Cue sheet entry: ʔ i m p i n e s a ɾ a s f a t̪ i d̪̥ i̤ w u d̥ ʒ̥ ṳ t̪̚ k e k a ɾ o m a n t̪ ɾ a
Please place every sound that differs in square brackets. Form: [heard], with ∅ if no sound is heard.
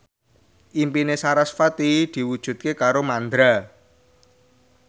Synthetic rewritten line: ʔ i m p i n e s a ɾ a s f a t̪ i d̪̥ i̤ w u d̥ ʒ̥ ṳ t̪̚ k e k a ɾ o m a n [d̪] ɾ a